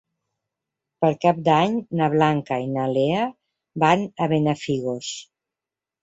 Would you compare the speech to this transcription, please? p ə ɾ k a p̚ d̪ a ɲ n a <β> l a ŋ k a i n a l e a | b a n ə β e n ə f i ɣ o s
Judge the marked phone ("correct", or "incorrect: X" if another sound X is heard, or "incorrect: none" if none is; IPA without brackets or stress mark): correct